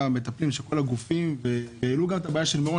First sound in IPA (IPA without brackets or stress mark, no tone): m